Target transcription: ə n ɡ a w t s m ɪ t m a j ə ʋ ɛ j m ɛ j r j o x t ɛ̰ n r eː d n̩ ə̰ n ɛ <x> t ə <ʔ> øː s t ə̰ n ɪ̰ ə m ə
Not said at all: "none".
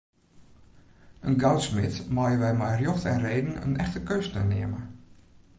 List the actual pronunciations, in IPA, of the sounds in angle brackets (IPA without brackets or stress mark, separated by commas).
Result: x, k